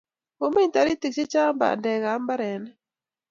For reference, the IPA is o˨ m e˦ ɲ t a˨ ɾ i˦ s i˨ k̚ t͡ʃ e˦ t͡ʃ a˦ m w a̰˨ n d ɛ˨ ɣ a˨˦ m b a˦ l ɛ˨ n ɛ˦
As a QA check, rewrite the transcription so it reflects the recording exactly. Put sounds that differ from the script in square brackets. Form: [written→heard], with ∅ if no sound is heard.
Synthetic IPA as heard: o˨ m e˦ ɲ t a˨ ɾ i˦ [s→t] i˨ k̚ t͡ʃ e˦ t͡ʃ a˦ m [w→b] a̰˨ n d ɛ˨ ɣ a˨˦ m b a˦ [l→ɾ] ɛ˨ n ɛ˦